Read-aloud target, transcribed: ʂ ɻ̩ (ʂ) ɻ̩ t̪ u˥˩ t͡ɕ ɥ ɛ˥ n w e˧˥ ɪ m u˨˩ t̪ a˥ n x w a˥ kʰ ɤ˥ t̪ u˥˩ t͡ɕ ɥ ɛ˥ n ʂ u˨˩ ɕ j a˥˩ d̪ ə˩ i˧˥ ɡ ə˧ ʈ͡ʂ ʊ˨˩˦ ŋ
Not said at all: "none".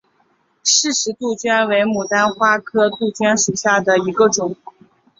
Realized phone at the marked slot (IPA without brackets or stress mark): ʂ